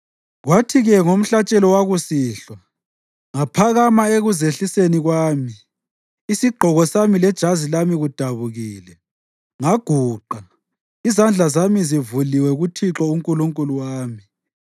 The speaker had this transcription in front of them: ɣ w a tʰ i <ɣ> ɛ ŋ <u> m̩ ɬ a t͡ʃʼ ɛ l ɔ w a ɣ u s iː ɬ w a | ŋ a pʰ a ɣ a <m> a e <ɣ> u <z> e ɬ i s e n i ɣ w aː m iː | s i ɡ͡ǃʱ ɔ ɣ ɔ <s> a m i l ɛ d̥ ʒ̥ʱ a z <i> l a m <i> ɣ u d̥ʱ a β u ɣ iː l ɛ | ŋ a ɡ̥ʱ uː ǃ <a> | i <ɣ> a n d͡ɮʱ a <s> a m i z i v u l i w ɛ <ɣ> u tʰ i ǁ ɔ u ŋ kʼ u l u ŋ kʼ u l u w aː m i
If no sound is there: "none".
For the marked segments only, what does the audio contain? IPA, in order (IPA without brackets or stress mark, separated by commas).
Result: ɣ, o, m, ɣ, z, s, i, i, a, z, z, ɣ